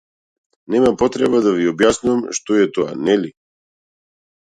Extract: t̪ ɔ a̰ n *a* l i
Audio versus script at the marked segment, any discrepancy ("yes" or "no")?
yes